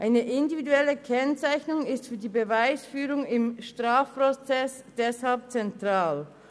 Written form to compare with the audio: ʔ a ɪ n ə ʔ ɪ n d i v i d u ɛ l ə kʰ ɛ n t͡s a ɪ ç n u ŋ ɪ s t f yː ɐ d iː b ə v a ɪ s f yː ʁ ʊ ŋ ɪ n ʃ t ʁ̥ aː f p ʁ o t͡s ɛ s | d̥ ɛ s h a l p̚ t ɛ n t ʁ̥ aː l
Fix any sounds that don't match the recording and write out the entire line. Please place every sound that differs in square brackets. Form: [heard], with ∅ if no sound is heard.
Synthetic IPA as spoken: ʔ a ɪ n ə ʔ ɪ n d i v i d u ɛ l ə kʰ ɛ n t͡s a ɪ ç n [ʊ] ŋ ɪ s t f yː ɐ d iː b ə v a ɪ s f yː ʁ ʊ ŋ ɪ [m] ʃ t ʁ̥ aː f p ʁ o t͡s ɛ s | d̥ ɛ s h a l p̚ [t͡s] ɛ n t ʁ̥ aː l